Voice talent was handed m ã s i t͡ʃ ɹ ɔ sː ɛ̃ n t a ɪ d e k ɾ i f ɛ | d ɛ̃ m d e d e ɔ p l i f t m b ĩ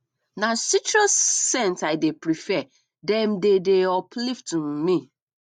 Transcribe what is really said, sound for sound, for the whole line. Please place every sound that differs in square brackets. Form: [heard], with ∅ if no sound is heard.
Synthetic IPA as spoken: [n] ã s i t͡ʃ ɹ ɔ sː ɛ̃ n t a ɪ d e [p] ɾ i f ɛ | d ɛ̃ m d e d e ɔ p l i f t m [m] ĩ